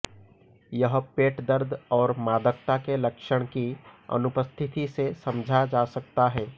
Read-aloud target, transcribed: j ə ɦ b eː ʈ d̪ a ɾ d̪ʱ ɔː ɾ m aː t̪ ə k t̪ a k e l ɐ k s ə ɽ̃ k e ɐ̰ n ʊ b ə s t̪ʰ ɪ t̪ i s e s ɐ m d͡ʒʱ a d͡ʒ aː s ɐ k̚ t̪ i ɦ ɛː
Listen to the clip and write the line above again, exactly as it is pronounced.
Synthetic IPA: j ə ɦ p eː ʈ d̪ ə ɾ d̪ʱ ɔː ɾ m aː d̪ ə k t̪ a k e l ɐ k ʃ ə ɽ̃ k i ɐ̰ n ʊ p ə s t̪ʰ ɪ t̪ i s e s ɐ m d͡ʒʱ a d͡ʒ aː s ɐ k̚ t̪ a ɦ ɛː